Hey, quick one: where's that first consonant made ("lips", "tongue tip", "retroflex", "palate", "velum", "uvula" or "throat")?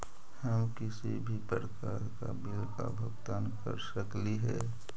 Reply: throat